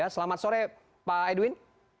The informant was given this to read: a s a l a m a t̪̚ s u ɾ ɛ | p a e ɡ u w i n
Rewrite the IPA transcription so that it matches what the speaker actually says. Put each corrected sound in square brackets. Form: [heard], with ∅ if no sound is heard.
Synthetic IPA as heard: a s [ə] l a m a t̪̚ s [o] ɾ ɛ | p a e [d] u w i n